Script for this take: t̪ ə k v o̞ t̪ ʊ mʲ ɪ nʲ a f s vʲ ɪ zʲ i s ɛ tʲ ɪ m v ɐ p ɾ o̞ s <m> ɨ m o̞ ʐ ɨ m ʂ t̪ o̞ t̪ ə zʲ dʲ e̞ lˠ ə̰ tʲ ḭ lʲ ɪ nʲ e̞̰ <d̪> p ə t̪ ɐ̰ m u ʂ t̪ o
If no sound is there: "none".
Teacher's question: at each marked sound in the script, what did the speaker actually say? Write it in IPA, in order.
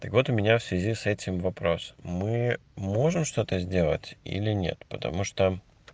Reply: m, t̪

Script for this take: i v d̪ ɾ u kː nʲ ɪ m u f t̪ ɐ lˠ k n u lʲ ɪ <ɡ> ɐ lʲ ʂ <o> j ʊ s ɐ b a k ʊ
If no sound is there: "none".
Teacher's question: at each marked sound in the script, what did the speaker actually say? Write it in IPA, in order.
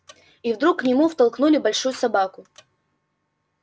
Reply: b, u

